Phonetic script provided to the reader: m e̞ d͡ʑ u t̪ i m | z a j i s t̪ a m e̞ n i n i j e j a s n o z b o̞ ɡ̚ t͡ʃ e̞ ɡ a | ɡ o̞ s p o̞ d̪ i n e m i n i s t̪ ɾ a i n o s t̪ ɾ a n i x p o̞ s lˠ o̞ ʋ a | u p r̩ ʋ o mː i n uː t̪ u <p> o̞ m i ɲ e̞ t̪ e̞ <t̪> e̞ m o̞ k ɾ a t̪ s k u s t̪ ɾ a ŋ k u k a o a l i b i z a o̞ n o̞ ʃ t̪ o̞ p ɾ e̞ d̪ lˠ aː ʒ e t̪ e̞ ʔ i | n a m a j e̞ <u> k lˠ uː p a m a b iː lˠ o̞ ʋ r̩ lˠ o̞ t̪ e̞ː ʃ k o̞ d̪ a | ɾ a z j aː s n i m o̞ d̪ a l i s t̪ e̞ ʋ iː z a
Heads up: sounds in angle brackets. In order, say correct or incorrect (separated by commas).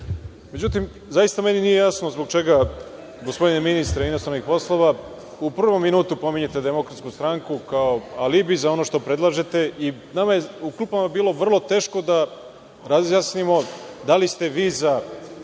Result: correct, incorrect, correct